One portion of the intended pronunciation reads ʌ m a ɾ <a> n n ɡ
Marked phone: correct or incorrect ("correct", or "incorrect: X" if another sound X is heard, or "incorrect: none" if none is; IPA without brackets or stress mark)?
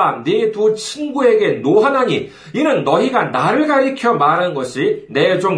correct